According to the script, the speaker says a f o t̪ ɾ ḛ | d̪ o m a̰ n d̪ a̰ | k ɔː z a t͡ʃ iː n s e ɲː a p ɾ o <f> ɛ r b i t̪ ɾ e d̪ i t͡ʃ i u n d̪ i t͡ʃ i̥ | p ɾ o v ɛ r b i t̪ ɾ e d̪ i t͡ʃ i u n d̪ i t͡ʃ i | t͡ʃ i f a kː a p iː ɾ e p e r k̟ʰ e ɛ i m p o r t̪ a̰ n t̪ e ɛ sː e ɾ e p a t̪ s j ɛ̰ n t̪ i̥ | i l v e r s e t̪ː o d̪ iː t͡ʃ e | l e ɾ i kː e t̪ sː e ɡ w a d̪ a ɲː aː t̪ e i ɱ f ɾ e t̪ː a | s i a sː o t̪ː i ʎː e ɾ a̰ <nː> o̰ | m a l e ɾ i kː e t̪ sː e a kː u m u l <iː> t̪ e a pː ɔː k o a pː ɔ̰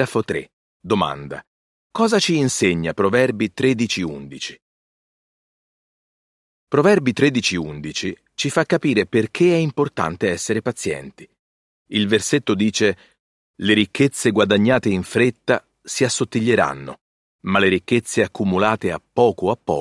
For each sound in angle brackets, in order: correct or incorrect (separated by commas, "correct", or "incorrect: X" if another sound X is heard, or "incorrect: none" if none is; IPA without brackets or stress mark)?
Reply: incorrect: v, correct, incorrect: aː